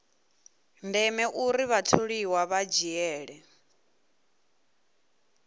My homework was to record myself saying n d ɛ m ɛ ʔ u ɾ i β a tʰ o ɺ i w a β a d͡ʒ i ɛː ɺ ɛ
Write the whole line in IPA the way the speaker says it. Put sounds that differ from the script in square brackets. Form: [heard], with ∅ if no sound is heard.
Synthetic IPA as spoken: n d ɛ m ɛ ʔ u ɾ i β a tʰ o ɺ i w a β a d͡ʒ i ɛː ɺ ɛ